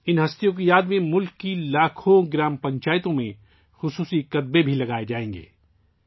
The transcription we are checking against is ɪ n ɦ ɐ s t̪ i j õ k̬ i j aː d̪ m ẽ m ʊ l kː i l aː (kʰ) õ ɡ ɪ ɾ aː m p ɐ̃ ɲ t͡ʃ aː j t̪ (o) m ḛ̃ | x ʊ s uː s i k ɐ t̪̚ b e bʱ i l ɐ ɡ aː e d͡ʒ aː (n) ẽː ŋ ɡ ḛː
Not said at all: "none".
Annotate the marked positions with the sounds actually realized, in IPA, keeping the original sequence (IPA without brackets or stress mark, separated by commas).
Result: kʰ, õ, none